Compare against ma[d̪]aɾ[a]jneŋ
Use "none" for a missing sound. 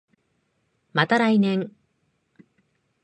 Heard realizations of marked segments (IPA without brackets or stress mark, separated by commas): t̪, a